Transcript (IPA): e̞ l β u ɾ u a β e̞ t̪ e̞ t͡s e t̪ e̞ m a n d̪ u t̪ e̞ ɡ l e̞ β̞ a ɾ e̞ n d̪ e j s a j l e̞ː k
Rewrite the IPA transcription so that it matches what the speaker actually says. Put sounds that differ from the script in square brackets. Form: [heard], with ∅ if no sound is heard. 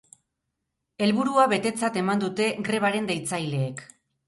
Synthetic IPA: e̞ l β u ɾ u a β e̞ t̪ e̞ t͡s [a] t̪ e̞ m a n d̪ u t̪ e̞ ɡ [ɾ] e̞ β̞ a ɾ e̞ n d̪ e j [t͡s] a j l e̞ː k